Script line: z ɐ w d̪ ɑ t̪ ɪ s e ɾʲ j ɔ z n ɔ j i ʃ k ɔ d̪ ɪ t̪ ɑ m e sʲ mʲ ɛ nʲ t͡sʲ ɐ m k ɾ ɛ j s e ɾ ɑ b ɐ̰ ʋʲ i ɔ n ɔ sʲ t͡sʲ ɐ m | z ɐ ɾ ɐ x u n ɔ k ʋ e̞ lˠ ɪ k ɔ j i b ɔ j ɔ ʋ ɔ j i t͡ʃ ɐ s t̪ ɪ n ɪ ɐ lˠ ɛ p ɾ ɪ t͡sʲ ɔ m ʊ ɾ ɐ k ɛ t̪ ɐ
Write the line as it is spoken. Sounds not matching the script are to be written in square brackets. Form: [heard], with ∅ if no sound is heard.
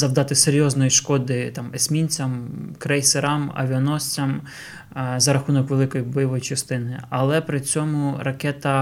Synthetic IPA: z ɐ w d̪ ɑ t̪ ɪ s e ɾʲ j ɔ z n ɔ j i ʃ k ɔ d̪ ɪ t̪ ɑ m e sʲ mʲ [i] nʲ t͡sʲ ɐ m k ɾ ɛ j s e ɾ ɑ [m] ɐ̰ ʋʲ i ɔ n ɔ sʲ t͡sʲ ɐ m | z ɐ ɾ ɐ x u n ɔ k ʋ e̞ lˠ ɪ k ɔ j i b ɔ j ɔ ʋ ɔ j i t͡ʃ ɐ s t̪ ɪ n ɪ ɐ lˠ ɛ p ɾ ɪ t͡sʲ ɔ m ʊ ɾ ɐ k ɛ t̪ ɐ